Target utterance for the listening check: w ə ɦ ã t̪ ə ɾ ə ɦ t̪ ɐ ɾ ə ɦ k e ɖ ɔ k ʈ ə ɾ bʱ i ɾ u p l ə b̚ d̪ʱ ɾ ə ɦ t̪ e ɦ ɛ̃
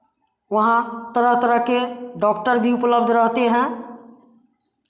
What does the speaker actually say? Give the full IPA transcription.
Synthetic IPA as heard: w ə ɦ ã t̪ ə ɾ ə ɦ t̪ ə ɾ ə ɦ k e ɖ ɔ k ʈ ə ɾ bʱ i u p l ə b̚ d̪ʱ ɾ ə ɦ t̪ e ɦ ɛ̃